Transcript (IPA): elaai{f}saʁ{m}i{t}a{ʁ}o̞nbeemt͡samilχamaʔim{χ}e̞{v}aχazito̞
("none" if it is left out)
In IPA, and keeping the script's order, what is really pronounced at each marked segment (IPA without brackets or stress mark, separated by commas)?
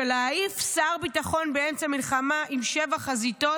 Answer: f, b, t, χ, ʃ, v